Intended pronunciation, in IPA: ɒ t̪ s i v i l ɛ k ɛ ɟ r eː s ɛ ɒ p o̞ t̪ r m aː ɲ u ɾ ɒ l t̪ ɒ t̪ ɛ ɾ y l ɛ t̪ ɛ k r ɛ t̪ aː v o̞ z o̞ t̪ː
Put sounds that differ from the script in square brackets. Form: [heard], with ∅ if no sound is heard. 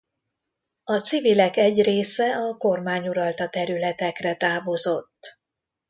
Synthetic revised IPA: ɒ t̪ s i v i l ɛ k ɛ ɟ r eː s ɛ ɒ [k] o̞ [∅] r m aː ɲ u ɾ ɒ l t̪ ɒ t̪ ɛ ɾ y l ɛ t̪ ɛ k r ɛ t̪ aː v o̞ z o̞ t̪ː